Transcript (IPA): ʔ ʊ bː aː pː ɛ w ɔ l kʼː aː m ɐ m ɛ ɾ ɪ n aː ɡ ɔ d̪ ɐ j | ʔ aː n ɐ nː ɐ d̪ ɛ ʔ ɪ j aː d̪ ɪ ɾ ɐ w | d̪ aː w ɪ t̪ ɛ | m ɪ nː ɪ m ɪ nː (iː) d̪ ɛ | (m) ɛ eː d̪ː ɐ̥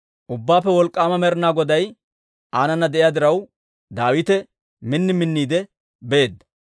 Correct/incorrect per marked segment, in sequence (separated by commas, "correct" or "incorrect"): correct, incorrect